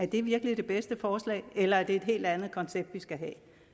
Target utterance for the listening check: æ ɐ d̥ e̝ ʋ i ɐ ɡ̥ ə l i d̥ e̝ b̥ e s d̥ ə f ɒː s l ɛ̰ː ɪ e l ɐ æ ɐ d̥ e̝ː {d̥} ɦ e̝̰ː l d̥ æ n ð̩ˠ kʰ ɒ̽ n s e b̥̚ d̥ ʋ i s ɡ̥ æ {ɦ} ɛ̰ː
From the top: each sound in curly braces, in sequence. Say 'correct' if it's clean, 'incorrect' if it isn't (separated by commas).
correct, correct